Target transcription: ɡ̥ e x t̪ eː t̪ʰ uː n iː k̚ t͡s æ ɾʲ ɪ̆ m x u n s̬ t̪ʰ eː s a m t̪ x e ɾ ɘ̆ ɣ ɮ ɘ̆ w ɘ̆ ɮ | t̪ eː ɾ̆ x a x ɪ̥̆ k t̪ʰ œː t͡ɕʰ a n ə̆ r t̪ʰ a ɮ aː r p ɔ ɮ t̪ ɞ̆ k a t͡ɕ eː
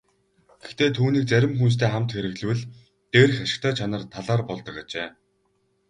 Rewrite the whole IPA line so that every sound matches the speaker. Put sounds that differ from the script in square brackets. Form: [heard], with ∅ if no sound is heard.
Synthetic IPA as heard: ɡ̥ e x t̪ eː t̪ʰ uː n iː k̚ t͡s æ ɾʲ ɪ̆ m x u n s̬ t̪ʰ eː [χ] a m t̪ x e ɾ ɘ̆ ɣ ɮ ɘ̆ w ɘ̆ ɮ | t̪ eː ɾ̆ x a [ʃ] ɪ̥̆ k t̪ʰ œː t͡ɕʰ a n ə̆ r t̪ʰ a ɮ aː r p ɔ ɮ t̪ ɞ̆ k a t͡ɕ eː